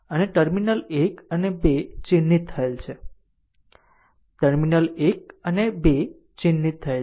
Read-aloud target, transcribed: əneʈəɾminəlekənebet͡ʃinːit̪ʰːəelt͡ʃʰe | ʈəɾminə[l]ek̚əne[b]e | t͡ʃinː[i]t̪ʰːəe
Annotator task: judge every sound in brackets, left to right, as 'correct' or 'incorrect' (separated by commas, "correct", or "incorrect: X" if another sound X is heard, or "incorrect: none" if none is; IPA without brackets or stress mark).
correct, correct, correct